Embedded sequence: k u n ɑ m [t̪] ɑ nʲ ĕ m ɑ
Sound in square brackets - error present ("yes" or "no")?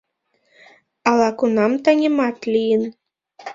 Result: no